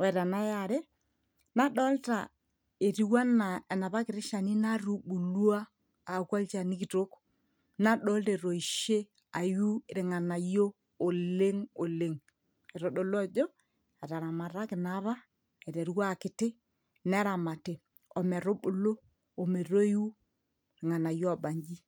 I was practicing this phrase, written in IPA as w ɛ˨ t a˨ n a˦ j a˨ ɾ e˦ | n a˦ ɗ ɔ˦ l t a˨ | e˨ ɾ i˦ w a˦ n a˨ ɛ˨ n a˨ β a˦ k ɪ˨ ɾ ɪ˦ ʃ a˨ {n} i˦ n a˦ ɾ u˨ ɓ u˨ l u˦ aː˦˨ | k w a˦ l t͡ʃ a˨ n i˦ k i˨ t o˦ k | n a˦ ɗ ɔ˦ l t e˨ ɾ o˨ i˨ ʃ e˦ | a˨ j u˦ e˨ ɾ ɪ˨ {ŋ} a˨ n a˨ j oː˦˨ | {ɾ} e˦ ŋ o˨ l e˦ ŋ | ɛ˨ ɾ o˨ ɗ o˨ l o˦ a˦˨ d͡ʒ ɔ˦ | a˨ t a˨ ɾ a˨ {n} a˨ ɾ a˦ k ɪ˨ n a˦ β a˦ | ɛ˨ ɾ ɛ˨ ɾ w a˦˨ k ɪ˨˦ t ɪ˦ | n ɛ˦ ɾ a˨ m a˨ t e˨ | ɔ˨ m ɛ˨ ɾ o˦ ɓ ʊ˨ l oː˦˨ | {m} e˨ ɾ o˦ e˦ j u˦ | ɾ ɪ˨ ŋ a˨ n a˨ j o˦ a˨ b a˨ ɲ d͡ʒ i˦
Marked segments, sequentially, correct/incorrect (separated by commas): correct, correct, incorrect, incorrect, correct